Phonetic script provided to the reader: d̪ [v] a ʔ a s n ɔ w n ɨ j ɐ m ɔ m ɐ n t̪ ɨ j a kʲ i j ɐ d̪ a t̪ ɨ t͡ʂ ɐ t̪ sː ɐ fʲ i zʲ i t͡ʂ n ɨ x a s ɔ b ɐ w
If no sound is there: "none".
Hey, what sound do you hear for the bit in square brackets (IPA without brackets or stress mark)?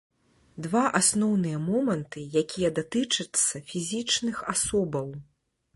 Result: v